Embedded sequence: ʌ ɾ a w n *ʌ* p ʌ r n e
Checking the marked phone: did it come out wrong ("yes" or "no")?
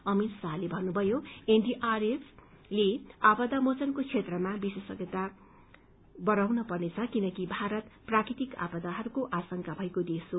no